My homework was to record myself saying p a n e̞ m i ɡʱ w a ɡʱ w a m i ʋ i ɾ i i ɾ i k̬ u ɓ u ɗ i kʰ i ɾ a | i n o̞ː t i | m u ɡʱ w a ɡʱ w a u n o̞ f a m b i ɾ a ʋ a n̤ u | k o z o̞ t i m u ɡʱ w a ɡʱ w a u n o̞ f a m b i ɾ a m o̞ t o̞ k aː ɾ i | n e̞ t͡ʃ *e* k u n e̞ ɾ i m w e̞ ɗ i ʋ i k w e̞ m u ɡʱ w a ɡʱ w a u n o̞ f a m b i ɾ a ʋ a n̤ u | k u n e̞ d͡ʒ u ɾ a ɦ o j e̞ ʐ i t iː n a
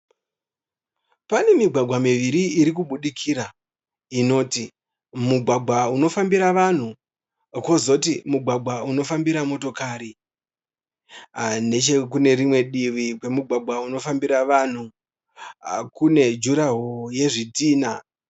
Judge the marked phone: correct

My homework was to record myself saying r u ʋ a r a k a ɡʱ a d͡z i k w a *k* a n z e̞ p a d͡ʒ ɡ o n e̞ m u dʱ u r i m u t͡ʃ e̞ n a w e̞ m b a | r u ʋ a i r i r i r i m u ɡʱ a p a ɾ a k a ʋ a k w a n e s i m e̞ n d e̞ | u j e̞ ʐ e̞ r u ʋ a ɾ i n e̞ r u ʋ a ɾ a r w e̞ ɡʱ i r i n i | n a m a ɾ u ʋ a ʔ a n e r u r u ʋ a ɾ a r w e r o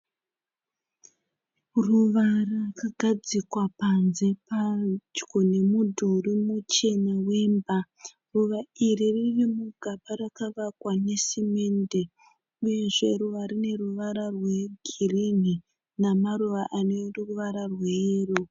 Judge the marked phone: incorrect: p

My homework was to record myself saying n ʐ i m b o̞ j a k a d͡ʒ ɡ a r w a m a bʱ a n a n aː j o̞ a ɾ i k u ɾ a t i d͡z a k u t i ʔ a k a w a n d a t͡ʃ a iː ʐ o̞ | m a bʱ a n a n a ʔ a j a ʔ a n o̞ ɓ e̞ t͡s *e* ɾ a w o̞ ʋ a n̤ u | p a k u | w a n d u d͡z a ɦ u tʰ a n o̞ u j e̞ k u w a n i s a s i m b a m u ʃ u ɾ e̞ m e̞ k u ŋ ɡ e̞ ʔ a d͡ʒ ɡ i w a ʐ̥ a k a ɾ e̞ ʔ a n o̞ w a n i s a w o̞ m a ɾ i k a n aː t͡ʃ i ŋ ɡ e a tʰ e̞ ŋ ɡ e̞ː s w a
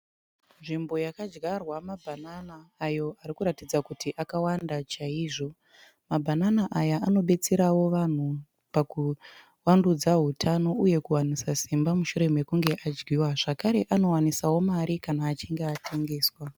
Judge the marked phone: correct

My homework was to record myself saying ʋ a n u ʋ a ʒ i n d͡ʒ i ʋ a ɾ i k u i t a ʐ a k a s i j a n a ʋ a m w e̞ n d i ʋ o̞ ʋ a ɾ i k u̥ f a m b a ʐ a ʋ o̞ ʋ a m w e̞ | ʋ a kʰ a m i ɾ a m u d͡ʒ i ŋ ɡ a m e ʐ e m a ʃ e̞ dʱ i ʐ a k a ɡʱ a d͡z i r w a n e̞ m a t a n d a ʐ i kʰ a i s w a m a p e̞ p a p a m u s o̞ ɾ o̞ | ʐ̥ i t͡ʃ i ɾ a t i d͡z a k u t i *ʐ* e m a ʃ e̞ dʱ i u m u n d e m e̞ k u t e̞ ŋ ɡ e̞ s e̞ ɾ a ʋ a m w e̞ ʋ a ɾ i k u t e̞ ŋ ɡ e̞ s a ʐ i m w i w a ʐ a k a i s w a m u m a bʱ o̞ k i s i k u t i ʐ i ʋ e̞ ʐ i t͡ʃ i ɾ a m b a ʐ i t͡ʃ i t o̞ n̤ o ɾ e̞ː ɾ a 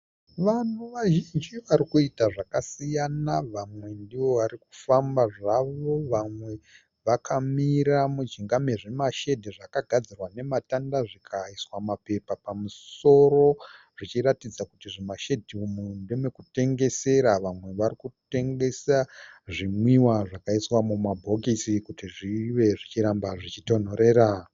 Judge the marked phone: correct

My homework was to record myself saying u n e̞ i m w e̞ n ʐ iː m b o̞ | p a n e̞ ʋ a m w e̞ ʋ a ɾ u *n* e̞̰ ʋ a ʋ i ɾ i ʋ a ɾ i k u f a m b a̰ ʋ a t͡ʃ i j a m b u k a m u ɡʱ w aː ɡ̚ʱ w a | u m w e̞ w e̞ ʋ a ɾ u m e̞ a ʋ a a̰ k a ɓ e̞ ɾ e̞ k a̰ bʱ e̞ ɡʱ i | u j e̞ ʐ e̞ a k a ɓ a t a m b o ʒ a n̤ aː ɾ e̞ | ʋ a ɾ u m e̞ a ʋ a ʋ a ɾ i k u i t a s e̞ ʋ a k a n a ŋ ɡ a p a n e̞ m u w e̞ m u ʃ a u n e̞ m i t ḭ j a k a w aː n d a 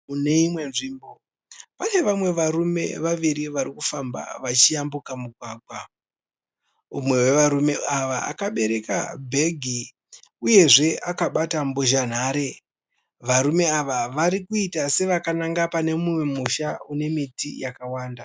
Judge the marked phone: incorrect: m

